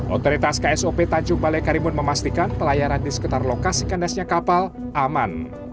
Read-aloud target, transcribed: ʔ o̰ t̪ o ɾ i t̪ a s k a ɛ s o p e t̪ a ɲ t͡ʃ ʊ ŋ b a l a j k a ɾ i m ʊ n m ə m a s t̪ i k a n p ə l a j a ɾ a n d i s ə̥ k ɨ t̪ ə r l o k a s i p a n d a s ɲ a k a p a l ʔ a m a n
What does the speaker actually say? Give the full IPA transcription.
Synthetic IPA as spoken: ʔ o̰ t̪ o ɾ i t̪ a s k a ɛ s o p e t̪ a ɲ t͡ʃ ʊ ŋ b a l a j k a ɾ i m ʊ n m ə m a s t̪ i k a n p ə l a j a ɾ a n d i s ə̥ k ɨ t̪ a r l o k a s i k a n d a s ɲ a k a p a l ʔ a m a n